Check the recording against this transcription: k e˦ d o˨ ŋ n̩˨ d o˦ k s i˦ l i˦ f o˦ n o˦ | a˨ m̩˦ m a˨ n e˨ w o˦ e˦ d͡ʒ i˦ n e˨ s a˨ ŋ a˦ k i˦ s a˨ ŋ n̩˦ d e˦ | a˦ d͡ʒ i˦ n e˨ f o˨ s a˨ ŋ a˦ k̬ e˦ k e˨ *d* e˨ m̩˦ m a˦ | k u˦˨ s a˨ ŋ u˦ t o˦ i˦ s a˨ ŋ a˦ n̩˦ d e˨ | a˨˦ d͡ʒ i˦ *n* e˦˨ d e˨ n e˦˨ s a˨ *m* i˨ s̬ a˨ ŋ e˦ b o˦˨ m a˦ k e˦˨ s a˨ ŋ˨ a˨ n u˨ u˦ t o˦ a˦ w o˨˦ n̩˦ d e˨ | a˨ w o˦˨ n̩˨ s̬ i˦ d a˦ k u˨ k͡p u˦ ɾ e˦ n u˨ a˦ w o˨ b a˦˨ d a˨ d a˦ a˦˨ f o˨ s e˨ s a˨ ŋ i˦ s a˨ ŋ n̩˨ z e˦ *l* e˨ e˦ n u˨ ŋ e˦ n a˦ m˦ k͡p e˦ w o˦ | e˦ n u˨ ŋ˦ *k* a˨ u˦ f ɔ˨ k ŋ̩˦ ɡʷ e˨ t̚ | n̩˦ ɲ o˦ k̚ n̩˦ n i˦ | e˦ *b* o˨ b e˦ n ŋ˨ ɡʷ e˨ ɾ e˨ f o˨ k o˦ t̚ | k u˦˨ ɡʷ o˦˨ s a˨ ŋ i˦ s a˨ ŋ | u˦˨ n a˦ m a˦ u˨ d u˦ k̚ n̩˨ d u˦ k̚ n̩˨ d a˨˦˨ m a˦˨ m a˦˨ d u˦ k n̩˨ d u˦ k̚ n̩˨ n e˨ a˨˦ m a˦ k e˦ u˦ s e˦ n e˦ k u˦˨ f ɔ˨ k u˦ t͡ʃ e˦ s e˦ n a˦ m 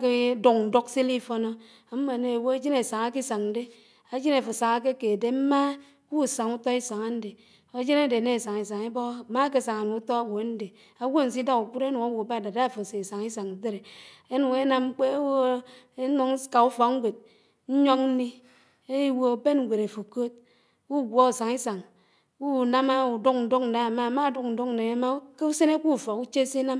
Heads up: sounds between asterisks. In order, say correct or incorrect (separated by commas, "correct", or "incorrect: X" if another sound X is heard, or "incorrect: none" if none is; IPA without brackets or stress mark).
correct, correct, incorrect: ŋ, incorrect: ɾ, correct, incorrect: w